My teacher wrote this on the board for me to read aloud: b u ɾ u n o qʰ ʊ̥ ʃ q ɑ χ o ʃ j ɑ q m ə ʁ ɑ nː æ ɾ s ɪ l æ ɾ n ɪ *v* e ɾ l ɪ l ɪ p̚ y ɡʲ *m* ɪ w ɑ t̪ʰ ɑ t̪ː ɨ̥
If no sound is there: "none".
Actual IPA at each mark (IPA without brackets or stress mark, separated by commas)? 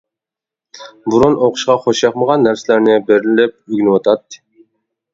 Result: b, n